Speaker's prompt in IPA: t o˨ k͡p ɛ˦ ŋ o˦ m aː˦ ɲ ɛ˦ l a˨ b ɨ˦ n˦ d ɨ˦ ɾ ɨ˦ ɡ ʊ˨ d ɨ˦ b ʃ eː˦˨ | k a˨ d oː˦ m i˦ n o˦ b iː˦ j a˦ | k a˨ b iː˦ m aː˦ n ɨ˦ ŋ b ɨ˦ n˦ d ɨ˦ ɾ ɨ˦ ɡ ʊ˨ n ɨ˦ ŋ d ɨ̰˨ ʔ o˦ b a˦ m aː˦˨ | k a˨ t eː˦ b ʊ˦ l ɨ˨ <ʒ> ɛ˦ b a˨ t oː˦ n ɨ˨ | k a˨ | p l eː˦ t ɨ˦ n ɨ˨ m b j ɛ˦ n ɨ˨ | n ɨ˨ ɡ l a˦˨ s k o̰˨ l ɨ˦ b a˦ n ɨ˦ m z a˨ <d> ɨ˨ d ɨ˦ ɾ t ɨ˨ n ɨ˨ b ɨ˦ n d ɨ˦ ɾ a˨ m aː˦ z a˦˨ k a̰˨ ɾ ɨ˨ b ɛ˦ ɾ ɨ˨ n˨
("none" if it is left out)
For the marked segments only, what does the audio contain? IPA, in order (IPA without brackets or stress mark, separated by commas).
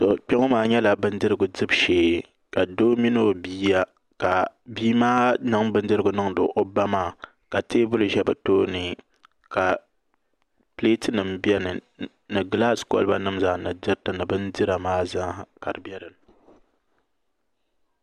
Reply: ʒ, n